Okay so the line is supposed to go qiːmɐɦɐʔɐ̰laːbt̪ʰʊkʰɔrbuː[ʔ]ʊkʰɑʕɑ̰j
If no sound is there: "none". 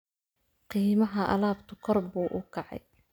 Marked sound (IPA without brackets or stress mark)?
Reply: ʔ